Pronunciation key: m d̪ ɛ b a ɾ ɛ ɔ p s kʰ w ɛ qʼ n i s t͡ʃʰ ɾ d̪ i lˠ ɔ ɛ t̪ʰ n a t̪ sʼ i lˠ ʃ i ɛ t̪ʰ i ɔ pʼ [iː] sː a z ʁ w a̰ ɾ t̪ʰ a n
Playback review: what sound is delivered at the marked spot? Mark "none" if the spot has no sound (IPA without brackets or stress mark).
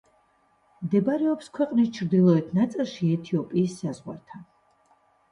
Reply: iː